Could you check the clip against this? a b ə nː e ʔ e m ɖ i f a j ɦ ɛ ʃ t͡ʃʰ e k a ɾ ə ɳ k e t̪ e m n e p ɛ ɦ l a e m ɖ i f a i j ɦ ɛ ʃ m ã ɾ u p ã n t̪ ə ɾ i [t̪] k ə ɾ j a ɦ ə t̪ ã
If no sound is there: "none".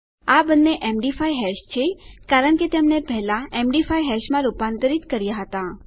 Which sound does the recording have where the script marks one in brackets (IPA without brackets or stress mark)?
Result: t̪